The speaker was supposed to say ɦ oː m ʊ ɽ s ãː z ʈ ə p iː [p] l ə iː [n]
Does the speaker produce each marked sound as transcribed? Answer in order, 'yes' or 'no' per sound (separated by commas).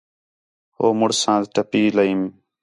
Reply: no, no